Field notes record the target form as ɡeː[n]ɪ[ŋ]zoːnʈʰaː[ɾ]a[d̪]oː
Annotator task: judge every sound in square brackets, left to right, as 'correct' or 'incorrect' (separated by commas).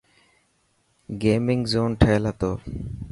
incorrect, correct, incorrect, incorrect